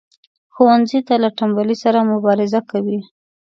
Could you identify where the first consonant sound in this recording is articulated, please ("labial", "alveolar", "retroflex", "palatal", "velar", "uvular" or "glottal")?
velar